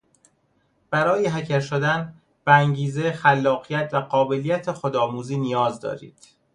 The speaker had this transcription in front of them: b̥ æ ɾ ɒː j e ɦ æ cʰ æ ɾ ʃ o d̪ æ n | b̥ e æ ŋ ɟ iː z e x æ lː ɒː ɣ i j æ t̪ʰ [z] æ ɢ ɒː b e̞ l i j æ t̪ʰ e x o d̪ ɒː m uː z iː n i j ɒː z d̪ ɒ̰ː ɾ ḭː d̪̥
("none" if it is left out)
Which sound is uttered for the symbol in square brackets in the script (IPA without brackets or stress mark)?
v